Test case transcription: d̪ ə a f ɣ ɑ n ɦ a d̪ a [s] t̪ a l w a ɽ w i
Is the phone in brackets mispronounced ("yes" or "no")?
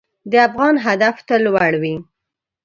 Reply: yes